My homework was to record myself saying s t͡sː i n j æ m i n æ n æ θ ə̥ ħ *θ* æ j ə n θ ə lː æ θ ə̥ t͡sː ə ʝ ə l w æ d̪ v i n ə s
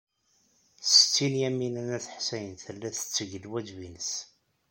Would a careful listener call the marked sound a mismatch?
yes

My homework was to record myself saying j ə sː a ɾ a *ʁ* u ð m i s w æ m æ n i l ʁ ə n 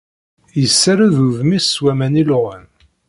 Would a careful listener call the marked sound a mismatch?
yes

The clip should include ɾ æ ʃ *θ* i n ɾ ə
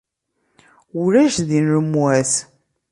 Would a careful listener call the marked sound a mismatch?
yes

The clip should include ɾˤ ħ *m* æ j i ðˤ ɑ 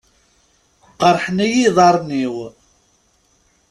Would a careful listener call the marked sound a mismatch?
yes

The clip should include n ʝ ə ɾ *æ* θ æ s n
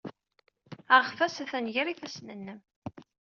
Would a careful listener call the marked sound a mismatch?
yes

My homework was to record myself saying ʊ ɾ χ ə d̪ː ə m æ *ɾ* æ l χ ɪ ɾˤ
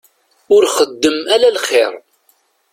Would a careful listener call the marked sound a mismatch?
yes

